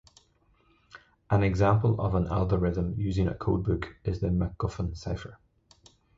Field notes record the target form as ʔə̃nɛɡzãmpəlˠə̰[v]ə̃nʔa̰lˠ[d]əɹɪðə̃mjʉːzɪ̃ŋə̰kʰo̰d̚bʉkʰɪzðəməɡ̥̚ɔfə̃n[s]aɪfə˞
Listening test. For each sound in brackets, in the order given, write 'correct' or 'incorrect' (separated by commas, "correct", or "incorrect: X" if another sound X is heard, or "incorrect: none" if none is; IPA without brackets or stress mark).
correct, incorrect: ɡ, correct